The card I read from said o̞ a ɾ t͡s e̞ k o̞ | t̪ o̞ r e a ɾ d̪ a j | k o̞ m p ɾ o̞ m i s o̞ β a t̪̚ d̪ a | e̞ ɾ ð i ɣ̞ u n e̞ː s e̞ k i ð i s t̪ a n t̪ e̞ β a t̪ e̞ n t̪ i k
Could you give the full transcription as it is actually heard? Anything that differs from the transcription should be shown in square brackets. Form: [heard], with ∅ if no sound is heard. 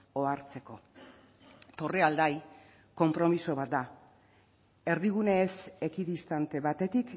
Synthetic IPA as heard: o̞ a ɾ t͡s e̞ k o̞ | t̪ o̞ r e a [l] d̪ a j | k o̞ m p ɾ o̞ m i s o̞ β a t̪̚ d̪ a | e̞ ɾ ð i ɣ̞ u n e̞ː s e̞ k i ð i s t̪ a n t̪ e̞ β a t̪ e̞ [∅] t̪ i k